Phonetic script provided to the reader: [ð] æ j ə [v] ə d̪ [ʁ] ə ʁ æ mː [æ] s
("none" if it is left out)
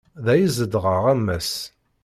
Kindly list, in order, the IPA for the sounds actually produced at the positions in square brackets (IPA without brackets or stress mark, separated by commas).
ð, z, ʁ, æ